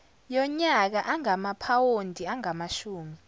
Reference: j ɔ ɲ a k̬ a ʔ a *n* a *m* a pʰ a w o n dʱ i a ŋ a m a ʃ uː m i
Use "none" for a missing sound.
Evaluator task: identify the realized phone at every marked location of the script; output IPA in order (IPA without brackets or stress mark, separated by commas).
ŋ, m